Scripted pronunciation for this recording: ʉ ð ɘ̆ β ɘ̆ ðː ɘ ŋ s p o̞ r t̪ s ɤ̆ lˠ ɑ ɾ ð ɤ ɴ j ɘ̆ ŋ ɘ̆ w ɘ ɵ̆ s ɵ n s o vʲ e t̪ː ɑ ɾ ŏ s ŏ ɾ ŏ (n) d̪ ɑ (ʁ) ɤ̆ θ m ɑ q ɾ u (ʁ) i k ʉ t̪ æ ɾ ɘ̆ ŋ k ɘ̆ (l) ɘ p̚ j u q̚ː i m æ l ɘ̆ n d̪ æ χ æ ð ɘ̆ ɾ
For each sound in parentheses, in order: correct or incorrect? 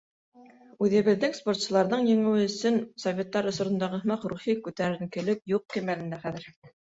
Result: correct, correct, incorrect, correct

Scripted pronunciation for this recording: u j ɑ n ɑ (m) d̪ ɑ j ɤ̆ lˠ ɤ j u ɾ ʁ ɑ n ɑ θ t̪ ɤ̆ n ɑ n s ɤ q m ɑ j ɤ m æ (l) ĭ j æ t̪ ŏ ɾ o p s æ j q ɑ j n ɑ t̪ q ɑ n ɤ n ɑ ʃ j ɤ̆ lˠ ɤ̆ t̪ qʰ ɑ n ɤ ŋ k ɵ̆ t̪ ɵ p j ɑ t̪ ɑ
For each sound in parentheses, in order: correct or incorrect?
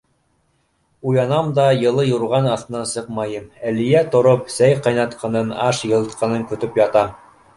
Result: correct, correct

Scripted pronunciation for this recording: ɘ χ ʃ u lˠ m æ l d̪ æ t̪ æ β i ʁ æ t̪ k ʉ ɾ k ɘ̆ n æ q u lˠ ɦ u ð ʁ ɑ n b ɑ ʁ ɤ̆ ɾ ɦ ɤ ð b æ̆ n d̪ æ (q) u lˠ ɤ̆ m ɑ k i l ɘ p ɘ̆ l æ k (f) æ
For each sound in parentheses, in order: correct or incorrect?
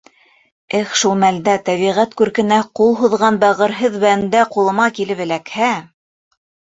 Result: correct, incorrect

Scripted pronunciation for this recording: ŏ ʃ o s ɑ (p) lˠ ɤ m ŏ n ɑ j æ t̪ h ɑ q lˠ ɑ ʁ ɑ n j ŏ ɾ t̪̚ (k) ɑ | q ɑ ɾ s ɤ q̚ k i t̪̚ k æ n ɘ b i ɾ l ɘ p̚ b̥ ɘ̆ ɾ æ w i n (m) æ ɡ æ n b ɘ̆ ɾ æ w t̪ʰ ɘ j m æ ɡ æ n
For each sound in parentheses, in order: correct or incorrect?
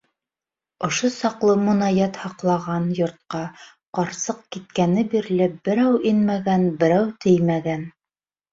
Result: incorrect, incorrect, correct

